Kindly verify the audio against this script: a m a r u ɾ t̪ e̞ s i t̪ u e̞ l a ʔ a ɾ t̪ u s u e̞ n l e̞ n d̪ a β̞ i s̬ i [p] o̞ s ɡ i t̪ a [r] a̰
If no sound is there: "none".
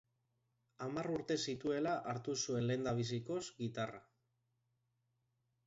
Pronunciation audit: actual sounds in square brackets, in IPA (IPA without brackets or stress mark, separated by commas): k, r